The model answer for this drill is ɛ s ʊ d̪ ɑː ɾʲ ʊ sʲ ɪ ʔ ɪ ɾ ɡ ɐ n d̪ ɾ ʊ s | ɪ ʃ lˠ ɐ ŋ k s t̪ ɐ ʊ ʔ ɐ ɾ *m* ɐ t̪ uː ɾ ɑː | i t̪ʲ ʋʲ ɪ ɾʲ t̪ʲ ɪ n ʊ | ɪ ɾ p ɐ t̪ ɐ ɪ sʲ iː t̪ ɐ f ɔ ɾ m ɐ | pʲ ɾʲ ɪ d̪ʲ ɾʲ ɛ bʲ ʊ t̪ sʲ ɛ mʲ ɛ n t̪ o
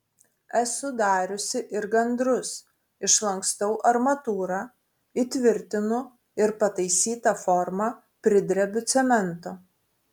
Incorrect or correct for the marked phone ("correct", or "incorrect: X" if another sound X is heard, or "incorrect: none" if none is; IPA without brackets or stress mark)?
correct